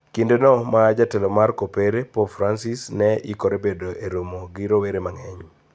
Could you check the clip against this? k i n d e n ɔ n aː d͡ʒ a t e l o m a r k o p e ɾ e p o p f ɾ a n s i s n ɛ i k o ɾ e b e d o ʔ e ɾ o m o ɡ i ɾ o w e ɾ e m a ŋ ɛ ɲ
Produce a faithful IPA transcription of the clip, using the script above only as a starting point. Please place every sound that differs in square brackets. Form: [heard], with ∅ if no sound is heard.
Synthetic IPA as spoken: k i n d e n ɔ [m] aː d͡ʒ a t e l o m a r k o p e ɾ e p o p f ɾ a n s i s n ɛ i k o ɾ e b e d o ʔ e ɾ o m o ɡ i ɾ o w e ɾ e m a ŋ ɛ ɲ